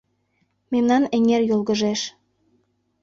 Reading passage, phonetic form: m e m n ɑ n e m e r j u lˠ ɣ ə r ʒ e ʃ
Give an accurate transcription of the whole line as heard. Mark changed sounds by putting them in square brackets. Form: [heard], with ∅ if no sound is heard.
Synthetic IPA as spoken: m e m n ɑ n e [ŋ] e r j [o] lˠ ɣ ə [∅] ʒ e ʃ